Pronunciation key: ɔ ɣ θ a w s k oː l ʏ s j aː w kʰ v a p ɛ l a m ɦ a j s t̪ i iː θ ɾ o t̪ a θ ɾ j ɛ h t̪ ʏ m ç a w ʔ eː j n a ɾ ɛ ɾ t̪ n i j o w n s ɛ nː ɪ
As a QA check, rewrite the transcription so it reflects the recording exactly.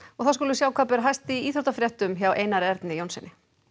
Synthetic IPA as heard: ɔ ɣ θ a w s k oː l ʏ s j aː w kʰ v a p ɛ ɾ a ɦ a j s t̪ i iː θ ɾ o t̪ a f ɾ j ɛ h t̪ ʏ m ç a w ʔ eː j n a ɾ ɛ ɾ t̪ n ɪ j o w n s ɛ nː ɪ